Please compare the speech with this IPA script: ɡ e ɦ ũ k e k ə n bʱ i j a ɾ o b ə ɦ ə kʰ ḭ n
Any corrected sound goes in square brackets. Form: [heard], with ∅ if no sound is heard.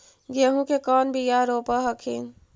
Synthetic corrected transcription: ɡ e ɦ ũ k e k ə n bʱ i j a ɾ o [p] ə ɦ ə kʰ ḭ n